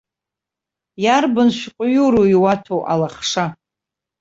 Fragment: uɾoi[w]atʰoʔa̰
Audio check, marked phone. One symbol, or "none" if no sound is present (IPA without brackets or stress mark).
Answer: w